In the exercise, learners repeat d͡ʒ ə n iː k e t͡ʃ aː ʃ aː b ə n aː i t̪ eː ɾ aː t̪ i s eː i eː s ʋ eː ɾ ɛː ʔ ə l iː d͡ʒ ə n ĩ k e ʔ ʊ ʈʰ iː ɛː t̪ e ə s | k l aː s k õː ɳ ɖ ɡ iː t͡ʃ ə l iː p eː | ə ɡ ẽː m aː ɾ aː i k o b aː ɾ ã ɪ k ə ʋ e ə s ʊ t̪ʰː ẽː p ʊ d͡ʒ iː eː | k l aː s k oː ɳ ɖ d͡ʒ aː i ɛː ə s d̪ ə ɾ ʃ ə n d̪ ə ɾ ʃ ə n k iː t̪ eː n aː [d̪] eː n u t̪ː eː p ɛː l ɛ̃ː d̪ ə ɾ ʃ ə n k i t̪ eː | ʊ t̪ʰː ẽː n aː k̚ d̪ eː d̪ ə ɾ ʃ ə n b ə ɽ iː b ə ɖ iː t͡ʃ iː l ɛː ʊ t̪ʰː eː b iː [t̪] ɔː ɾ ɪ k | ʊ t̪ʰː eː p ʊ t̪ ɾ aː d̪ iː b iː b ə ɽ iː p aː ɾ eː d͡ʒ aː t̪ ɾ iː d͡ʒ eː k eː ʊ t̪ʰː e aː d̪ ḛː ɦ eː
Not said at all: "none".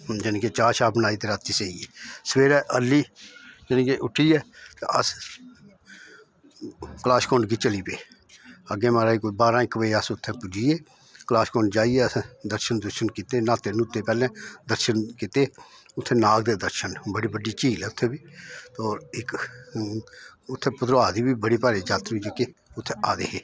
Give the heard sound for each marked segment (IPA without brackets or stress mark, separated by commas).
t̪, t̪